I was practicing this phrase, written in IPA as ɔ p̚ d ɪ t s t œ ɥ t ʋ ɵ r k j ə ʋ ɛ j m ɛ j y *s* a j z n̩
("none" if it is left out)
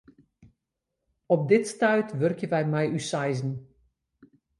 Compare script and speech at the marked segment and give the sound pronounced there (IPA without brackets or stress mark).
s